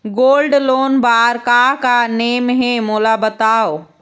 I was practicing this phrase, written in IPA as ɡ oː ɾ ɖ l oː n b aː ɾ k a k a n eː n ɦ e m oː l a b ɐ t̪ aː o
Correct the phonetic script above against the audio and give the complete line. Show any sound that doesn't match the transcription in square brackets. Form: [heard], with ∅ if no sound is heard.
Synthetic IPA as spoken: ɡ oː [l] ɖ l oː n b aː ɾ k a k a n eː [m] ɦ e m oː l a b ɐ t̪ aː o